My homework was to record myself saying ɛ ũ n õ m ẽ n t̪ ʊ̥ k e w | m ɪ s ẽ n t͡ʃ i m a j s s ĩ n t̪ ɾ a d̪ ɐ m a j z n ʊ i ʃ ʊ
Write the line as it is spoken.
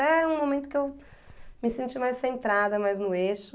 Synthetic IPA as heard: ɛ ũ m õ m ẽ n t̪ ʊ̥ k e w | m ɪ s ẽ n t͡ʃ i m a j s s ẽ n t̪ ɾ a d̪ ɐ m a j z n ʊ e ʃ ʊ